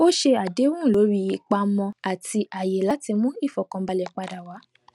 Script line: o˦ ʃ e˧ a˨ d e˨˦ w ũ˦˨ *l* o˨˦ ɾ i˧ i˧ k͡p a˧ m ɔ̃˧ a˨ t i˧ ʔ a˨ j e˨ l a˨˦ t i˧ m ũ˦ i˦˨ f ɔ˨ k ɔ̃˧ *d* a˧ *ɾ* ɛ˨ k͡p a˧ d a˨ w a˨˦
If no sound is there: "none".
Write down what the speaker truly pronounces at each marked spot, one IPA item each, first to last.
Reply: l, b, l

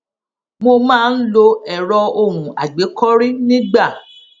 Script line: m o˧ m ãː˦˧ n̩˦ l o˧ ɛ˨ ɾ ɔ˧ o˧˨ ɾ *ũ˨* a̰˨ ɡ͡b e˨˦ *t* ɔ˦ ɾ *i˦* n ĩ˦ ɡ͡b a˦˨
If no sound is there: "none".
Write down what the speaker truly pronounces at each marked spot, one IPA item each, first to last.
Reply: ũ˨, k, i˦

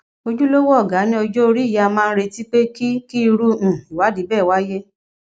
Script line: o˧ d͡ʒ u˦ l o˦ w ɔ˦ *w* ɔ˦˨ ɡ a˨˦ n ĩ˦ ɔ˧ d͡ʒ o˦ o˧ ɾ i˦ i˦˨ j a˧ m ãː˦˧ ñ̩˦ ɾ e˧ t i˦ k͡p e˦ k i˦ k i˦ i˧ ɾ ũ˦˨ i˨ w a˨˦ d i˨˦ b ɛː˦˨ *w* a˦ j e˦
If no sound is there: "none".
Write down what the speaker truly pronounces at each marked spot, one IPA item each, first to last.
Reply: none, w

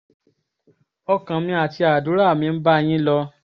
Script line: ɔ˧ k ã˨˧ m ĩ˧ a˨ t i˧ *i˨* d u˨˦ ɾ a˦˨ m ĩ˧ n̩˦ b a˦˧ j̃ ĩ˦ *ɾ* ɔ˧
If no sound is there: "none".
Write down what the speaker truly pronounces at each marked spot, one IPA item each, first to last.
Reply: a˨, l

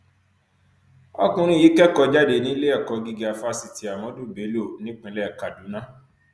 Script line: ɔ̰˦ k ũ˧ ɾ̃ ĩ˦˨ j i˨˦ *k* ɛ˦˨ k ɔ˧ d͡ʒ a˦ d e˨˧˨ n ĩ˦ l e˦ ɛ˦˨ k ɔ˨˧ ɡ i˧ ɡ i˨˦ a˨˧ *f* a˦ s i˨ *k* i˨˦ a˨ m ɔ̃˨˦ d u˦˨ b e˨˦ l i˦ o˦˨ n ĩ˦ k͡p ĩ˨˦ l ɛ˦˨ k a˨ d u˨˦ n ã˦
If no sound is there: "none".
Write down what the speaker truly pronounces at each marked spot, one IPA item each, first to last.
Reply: k, f, t

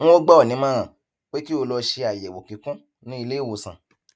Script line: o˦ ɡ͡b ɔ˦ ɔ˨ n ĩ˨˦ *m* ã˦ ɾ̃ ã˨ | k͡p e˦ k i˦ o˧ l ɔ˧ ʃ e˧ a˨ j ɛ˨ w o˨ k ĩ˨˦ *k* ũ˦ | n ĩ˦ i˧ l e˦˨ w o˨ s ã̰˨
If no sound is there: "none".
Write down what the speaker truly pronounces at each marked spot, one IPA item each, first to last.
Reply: m, k

